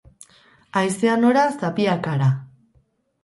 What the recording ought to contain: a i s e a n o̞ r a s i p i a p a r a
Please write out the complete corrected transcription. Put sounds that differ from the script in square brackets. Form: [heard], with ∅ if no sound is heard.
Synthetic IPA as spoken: a [j] s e a n o̞ [ɾ] a s [a] p i a [k] a [ɾ] a